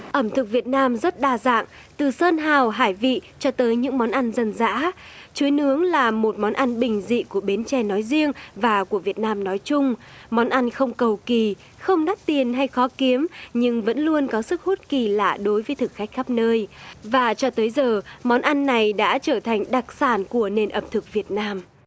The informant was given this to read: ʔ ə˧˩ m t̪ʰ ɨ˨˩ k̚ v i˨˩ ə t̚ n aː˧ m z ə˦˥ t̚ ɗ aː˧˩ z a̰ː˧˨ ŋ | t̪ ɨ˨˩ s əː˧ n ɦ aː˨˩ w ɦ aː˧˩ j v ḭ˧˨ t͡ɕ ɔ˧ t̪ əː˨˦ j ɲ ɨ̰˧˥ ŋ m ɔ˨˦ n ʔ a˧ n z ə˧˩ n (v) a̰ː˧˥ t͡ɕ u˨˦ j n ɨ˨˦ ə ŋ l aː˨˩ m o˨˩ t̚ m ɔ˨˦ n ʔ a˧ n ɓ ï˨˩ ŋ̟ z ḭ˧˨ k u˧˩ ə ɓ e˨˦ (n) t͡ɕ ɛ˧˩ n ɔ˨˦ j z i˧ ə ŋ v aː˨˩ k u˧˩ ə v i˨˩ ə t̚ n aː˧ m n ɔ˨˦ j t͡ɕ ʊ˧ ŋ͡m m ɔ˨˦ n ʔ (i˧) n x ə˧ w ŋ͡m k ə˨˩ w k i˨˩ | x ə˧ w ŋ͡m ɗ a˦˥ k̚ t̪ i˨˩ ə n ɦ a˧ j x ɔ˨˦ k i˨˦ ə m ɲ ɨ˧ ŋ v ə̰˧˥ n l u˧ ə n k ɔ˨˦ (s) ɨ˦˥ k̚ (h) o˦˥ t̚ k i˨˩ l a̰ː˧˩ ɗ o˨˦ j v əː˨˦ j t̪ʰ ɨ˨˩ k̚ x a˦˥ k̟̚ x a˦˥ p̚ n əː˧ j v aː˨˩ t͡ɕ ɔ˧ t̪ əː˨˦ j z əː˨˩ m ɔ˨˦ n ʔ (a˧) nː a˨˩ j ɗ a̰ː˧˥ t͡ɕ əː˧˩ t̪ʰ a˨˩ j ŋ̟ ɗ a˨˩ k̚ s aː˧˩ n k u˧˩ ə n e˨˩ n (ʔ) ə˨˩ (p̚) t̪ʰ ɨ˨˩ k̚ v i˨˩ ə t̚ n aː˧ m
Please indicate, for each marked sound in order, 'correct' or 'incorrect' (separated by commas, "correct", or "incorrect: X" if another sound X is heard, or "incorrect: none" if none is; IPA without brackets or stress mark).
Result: incorrect: z, correct, incorrect: a˧, correct, correct, correct, correct, correct